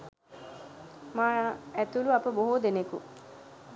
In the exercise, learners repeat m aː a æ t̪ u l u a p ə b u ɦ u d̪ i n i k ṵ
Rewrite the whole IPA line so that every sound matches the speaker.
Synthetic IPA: m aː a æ t̪ u l u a p ə b o ɦ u d̪ e n e k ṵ